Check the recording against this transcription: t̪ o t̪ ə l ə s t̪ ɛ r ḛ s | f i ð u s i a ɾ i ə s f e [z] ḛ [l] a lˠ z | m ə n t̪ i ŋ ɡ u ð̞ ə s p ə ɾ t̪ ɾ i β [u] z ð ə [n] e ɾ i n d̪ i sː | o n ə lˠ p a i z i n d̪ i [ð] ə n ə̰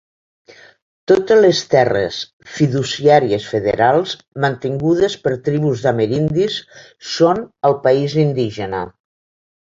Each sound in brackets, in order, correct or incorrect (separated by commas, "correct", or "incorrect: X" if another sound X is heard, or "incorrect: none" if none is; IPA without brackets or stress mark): incorrect: ð, incorrect: ɾ, correct, incorrect: m, incorrect: ʒ